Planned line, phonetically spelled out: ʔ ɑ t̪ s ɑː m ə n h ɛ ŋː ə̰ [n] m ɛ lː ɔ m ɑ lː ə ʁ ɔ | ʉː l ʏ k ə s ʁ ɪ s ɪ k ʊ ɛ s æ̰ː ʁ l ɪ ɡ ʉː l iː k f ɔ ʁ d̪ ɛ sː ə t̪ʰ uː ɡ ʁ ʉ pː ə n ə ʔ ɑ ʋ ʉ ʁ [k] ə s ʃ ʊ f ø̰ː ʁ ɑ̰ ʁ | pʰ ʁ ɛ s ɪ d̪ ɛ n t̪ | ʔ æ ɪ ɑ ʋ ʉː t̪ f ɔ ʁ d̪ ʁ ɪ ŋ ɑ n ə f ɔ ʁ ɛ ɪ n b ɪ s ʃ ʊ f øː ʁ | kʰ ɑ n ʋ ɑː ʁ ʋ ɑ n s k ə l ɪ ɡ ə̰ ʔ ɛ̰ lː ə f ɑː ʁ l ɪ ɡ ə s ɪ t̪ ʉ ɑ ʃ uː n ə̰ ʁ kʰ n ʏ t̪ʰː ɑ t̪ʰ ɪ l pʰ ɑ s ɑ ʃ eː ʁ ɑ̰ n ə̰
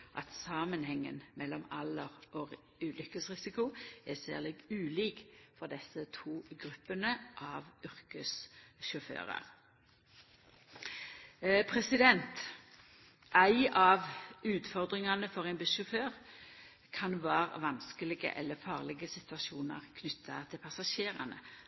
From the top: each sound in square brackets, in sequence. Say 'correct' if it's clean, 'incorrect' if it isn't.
correct, correct

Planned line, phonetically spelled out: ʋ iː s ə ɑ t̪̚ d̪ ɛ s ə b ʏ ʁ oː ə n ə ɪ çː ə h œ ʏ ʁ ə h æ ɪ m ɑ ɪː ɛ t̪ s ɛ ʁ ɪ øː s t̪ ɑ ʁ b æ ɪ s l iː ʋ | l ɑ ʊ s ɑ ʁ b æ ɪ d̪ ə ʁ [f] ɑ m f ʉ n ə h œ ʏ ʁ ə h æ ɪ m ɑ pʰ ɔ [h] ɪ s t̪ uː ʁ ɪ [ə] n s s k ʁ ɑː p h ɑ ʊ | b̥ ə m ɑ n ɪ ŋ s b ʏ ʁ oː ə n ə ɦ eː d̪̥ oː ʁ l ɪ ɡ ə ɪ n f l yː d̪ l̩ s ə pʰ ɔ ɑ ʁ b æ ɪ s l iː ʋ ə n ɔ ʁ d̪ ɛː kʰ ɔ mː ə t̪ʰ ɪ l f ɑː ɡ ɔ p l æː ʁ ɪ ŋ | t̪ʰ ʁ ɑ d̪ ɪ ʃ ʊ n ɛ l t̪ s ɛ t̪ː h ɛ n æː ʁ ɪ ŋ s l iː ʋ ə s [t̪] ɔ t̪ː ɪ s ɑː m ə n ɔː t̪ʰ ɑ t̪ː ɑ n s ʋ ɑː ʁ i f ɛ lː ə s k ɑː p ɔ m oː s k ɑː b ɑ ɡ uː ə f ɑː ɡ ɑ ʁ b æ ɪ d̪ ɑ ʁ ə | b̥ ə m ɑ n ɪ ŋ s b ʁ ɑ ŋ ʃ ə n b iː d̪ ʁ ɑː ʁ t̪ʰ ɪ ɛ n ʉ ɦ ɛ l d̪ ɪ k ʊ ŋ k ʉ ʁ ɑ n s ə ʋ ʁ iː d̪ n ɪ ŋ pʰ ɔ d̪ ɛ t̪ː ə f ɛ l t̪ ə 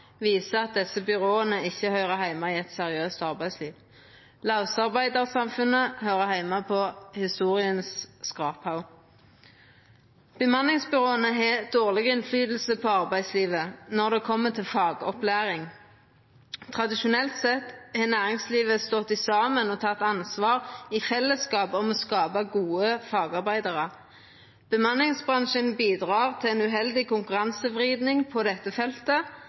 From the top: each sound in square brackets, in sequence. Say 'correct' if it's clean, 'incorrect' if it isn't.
incorrect, correct, correct, correct

